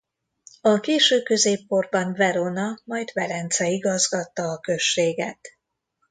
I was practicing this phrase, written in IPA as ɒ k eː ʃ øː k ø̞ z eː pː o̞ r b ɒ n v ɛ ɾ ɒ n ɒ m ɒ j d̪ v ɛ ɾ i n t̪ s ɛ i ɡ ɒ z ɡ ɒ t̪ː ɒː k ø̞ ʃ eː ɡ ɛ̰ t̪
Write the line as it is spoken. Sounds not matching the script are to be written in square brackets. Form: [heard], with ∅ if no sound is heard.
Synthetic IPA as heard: ɒ k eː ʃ øː k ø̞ z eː pː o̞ r b ɒ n v ɛ ɾ [o] n ɒ m ɒ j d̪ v ɛ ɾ [ɛ] n t̪ s ɛ i ɡ ɒ z ɡ ɒ t̪ː ɒː k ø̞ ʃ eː ɡ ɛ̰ t̪